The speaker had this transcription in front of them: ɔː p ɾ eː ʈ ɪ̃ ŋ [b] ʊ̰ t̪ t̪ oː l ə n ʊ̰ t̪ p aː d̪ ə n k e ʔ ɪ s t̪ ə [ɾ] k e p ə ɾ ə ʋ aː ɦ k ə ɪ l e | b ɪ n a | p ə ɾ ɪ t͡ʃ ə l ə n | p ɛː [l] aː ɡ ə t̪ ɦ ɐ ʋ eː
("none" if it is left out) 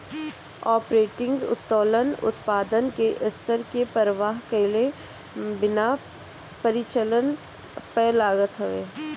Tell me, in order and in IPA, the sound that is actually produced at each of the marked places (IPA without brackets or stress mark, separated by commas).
ɡ, ɾ, l